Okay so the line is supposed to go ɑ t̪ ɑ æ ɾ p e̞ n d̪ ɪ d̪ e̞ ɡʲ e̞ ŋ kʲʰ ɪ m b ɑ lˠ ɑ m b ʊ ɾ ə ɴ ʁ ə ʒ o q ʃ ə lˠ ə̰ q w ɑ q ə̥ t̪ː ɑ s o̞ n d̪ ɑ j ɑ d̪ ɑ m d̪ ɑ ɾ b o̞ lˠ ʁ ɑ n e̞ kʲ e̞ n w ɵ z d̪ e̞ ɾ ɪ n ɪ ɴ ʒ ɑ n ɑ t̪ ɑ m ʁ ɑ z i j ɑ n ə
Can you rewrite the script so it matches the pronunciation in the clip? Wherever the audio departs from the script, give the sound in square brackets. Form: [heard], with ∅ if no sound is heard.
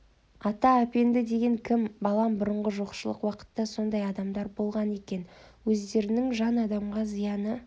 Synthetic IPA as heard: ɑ t̪ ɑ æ [∅] p e̞ n d̪ ɪ d̪ e̞ ɡʲ e̞ ŋ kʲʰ ɪ m b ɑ lˠ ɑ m b ʊ ɾ ə ɴ ʁ ə ʒ o q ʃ ə lˠ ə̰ q w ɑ q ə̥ t̪ː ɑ s o̞ n d̪ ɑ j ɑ d̪ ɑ m d̪ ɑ ɾ b o̞ lˠ ʁ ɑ n e̞ kʲ e̞ n w ɵ z d̪ e̞ ɾ ɪ n ɪ [ŋ] ʒ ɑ n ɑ [d̪] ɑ m ʁ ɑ z i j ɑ n ə